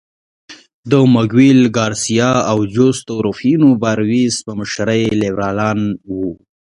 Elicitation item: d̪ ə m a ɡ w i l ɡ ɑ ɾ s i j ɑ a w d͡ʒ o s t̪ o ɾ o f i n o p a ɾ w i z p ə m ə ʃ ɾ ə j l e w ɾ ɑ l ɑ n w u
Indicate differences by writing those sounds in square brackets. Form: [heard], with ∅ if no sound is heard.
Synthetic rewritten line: d̪ ə m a ɡ w i l ɡ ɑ ɾ s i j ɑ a w d͡ʒ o s t̪ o ɾ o f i n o [b] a ɾ w i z p ə m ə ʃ ɾ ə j l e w ɾ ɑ l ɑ n w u